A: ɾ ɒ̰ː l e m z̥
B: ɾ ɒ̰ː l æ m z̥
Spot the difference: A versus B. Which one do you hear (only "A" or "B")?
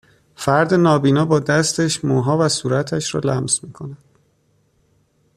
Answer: B